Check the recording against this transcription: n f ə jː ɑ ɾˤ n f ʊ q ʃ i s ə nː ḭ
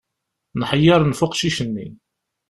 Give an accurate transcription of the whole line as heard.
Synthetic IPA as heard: n ħ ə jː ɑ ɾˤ n f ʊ q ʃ i ʃ ə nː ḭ